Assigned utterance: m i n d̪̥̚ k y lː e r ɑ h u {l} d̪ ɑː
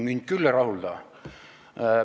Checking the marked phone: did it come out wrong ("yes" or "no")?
no